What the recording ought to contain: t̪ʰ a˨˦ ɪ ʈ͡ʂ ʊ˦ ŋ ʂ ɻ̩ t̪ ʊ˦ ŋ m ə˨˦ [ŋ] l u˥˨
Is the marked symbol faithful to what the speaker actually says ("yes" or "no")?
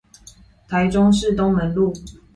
no